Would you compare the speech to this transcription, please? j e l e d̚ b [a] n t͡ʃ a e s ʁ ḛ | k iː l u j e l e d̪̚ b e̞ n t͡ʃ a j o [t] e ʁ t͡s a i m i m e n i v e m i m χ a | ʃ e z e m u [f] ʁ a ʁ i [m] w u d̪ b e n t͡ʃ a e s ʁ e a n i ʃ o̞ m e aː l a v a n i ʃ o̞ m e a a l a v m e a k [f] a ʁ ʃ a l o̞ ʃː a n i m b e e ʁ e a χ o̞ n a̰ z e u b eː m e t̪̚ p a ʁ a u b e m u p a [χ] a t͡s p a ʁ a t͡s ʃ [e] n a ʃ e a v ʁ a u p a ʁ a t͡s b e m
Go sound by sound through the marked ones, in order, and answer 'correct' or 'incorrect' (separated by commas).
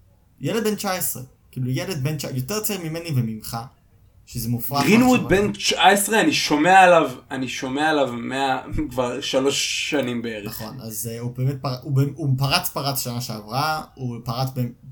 incorrect, correct, correct, incorrect, incorrect, incorrect, incorrect